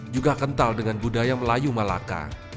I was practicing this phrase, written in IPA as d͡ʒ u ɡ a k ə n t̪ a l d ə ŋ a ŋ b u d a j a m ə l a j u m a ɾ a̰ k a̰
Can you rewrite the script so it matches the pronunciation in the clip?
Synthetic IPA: d͡ʒ u ɡ a k ə n t̪ a l d ə ŋ a n b u d a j a m ə l a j u m a l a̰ k a̰